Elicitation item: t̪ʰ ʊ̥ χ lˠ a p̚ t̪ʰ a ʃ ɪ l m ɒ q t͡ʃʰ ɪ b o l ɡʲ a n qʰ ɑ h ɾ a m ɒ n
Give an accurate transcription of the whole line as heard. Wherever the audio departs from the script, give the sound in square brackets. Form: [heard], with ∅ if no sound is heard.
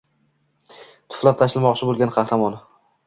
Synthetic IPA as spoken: t̪ʰ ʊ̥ [f] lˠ a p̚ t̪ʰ a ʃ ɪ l m ɒ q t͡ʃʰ ɪ b o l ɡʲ a n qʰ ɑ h ɾ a m ɒ n